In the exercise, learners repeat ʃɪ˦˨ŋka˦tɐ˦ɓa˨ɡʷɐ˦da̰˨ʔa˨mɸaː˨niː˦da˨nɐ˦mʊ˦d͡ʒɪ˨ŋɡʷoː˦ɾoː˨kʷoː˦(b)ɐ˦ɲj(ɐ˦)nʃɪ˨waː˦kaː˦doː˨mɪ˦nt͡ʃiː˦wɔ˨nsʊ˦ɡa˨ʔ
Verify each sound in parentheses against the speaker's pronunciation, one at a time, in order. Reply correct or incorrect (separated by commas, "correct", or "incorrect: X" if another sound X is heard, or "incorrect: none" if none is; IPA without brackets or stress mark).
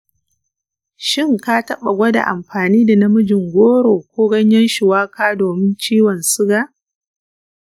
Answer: incorrect: ɡ, correct